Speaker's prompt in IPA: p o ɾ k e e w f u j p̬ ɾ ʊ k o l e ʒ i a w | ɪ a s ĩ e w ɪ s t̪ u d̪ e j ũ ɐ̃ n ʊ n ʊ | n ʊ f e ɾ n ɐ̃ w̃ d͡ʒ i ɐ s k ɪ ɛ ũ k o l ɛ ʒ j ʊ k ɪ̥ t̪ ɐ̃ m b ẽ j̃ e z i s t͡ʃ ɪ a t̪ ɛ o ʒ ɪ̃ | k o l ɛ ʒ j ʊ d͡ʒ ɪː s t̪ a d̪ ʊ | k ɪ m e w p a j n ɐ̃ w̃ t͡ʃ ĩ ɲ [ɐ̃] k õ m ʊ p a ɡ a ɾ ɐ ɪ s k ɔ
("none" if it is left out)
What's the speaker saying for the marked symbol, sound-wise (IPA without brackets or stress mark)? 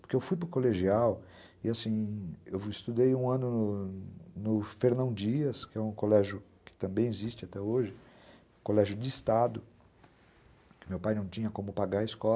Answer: ɐ